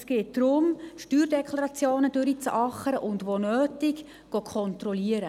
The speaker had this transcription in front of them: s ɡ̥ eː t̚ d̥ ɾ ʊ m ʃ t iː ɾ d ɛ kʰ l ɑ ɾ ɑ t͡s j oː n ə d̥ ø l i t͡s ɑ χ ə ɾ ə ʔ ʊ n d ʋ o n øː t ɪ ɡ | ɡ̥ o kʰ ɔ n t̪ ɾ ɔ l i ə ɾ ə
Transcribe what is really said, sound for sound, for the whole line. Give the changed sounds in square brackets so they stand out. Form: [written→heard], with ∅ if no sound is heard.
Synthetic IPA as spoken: s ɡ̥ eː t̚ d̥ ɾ ʊ m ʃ t [iː→yː] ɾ d ɛ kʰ l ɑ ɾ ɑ t͡s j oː n ə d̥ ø [l→ɾ] i t͡s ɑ χ ə ɾ ə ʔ ʊ n d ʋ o n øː t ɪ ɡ | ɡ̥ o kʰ ɔ n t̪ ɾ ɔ l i ə ɾ ə